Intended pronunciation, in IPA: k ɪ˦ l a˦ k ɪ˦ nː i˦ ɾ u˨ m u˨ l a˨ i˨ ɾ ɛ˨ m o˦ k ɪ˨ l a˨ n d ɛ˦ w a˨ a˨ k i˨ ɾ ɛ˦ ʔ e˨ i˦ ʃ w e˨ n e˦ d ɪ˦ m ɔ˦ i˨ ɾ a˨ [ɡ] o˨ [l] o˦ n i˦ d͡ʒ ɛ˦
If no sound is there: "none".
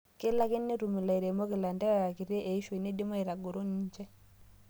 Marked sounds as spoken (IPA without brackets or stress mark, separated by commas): ɡ, ɾ